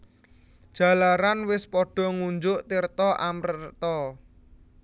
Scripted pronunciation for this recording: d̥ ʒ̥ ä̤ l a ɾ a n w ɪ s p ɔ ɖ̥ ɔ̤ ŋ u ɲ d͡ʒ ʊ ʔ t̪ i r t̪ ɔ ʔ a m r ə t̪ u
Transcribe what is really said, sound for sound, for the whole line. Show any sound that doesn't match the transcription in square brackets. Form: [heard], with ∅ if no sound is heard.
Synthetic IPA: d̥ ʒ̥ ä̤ l a ɾ a n w ɪ s p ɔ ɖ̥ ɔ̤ ŋ u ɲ d͡ʒ ʊ ʔ t̪ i r t̪ ɔ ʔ a m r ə t̪ [ɔ]